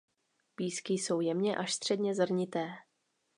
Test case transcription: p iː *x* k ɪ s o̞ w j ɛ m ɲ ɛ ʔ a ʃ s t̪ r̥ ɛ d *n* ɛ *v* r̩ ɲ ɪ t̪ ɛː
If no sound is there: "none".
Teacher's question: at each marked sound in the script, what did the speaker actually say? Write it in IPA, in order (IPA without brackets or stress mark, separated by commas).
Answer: s, ɲ, z